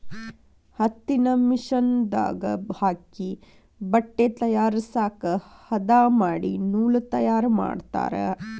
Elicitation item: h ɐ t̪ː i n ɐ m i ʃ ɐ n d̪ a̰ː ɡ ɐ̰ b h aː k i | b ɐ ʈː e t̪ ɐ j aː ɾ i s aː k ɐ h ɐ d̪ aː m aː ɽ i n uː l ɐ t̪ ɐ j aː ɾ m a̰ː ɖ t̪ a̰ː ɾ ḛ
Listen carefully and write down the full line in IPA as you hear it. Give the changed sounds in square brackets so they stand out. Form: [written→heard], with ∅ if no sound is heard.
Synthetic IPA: h ɐ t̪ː i n ɐ m i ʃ ɐ n d̪ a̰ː ɡ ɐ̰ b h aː k i | b ɐ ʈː e t̪ ɐ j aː ɾ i s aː k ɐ h ɐ d̪ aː m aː ɽ i n uː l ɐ t̪ ɐ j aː ɾ m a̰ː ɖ t̪ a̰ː ɾ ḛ